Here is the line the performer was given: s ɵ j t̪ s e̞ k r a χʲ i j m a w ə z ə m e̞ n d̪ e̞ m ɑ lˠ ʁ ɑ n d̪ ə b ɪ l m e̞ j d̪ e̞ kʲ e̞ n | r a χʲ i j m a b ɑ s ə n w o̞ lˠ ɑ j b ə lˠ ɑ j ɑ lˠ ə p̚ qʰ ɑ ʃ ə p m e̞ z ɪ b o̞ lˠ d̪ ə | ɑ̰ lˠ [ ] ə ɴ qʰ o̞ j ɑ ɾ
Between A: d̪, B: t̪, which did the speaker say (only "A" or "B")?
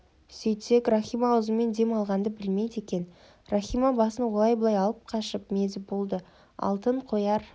B